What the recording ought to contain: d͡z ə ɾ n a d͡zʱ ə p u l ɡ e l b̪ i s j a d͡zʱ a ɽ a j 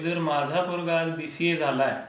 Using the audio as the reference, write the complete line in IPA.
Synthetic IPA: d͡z ə ɾ m a d͡zʱ a p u ɾ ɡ a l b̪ i s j e d͡zʱ a l a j